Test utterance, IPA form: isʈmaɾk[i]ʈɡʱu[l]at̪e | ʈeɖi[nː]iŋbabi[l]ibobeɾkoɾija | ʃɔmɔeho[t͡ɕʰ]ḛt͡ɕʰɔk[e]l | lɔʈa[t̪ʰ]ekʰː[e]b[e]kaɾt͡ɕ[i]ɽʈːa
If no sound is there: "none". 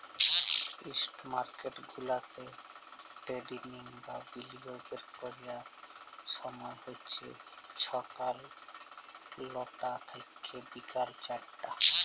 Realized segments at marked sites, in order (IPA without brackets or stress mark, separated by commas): e, l, n, l, t͡ɕʰ, a, t̪ʰ, e, i, a